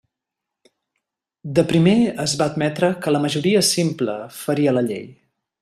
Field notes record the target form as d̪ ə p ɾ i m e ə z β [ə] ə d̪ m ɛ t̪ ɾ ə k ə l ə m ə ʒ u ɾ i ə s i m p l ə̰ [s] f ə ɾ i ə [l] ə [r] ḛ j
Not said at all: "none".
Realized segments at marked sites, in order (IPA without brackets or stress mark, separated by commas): a, none, l, ʎ